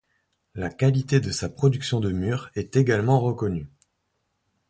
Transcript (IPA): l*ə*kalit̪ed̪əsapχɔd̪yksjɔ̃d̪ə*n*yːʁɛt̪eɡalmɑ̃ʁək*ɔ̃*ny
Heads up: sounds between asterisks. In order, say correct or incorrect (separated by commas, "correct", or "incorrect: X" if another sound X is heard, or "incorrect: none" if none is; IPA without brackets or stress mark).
incorrect: a, incorrect: m, incorrect: ɔ